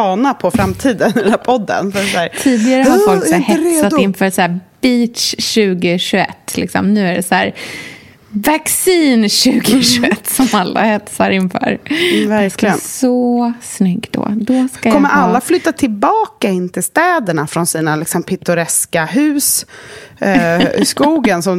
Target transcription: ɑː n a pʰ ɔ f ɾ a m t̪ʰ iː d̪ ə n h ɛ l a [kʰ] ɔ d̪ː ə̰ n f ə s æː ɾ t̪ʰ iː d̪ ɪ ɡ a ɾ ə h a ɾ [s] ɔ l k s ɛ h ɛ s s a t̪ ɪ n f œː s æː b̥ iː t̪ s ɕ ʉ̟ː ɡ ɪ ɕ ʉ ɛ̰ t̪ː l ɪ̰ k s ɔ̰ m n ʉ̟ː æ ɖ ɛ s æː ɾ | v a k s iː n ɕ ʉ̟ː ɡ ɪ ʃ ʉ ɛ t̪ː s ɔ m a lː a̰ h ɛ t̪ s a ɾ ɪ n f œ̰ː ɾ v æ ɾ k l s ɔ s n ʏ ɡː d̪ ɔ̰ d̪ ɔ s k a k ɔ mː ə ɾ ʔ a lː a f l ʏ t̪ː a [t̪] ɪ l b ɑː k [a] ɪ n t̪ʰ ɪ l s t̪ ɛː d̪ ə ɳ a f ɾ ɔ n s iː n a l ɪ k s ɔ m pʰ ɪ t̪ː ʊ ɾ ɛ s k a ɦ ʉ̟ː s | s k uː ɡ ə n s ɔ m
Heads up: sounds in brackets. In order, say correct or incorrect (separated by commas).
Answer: incorrect, incorrect, incorrect, correct